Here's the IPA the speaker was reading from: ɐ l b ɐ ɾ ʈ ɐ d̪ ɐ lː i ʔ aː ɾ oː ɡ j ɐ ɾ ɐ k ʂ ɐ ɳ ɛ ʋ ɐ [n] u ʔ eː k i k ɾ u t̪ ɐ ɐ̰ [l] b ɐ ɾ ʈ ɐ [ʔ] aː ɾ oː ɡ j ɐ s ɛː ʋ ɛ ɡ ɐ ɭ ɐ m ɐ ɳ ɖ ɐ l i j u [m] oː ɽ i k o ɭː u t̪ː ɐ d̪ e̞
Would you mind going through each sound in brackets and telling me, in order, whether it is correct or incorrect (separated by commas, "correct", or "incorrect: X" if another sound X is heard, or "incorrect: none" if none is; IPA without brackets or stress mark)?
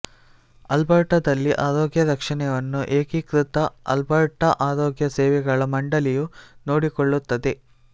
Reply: incorrect: nː, correct, correct, incorrect: n